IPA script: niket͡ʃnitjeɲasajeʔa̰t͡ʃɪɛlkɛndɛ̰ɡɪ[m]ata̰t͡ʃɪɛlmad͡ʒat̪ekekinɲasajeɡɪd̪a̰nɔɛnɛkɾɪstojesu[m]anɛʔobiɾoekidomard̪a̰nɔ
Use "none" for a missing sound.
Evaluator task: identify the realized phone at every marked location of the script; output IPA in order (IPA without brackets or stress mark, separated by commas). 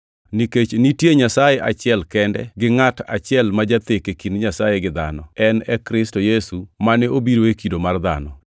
ŋ, m